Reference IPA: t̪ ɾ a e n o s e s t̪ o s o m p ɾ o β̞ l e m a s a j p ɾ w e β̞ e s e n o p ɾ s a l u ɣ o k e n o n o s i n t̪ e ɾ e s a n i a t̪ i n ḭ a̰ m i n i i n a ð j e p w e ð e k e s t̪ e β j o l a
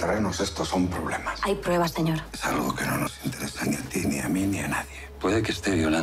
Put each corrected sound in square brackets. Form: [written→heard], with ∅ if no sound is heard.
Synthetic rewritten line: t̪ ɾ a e n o s e s t̪ o s o m p ɾ o β̞ l e m a s a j p ɾ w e β̞ [e→a] s e [n→ɲ] o [p→∅] ɾ s a l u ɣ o k e n o n o s i n t̪ e ɾ e s a n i a t̪ i n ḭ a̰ m i n i [i→a] n a ð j e p w e ð e k e s t̪ e β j o l a